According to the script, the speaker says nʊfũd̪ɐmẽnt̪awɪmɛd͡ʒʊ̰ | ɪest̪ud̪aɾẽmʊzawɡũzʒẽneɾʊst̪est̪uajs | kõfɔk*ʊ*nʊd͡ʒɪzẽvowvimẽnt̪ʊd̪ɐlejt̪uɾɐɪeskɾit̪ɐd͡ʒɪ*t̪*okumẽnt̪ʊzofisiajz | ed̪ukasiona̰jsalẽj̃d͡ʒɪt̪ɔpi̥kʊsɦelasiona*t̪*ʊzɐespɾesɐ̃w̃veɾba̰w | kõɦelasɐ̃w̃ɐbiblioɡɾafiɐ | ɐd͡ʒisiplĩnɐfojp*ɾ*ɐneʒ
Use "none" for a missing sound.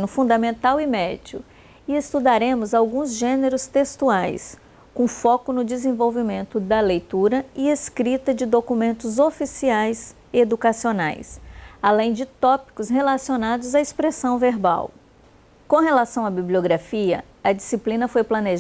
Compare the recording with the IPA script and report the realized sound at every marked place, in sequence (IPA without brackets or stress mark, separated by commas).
ʊ, d̪, d̪, l